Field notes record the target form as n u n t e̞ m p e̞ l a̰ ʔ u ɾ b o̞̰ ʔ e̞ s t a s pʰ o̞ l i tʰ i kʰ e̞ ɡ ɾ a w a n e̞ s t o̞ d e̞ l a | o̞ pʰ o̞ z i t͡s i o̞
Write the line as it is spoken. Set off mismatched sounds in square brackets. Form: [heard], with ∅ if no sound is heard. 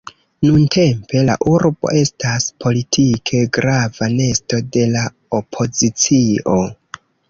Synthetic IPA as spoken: n u n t e̞ m p e̞ l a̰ ʔ u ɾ b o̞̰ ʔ e̞ s t a s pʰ o̞ l i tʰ i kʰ e̞ ɡ ɾ a [v] a n e̞ s t o̞ d e̞ l a | o̞ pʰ o̞ z i t͡s i o̞